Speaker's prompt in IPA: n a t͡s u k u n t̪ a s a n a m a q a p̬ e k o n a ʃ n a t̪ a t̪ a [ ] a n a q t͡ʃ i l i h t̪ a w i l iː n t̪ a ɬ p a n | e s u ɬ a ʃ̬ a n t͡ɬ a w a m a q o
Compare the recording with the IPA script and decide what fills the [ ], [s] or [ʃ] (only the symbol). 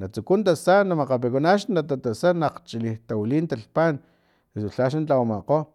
s